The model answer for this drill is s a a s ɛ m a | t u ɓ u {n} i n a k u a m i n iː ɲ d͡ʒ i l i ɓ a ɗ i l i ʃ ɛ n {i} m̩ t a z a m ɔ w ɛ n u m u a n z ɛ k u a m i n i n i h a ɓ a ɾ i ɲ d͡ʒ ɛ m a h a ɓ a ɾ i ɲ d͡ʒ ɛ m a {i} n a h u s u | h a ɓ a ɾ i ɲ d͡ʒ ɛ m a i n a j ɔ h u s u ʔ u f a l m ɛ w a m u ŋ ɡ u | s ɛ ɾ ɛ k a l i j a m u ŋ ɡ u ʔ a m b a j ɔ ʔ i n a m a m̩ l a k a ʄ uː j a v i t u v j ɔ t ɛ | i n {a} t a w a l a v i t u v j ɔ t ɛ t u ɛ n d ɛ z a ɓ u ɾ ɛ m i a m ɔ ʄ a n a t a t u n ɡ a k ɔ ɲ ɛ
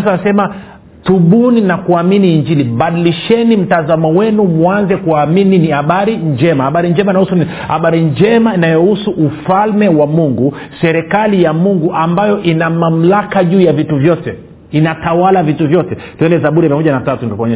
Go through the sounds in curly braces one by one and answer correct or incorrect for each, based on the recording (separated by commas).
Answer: correct, correct, correct, correct